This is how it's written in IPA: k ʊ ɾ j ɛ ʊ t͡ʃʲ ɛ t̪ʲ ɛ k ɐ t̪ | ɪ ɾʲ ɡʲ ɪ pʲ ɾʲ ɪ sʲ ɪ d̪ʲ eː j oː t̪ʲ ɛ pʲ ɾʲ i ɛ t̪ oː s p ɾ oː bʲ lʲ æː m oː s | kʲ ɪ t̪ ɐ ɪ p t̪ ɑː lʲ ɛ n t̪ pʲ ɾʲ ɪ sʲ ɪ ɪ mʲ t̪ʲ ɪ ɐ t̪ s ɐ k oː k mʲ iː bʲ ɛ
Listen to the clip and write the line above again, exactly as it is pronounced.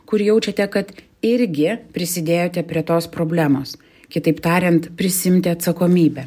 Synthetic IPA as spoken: k ʊ ɾ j ɛ ʊ t͡ʃʲ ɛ t̪ʲ ɛ k ɐ t̪ | ɪ ɾʲ ɡʲ ɪ pʲ ɾʲ ɪ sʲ ɪ d̪ʲ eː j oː t̪ʲ ɛ pʲ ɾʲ i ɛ t̪ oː s p ɾ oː bʲ lʲ æː m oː s | kʲ ɪ t̪ ɐ ɪ p t̪ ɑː ɾʲ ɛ n t̪ pʲ ɾʲ ɪ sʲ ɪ ɪ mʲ t̪ʲ ɪ ɐ t̪ s ɐ k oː mʲ iː bʲ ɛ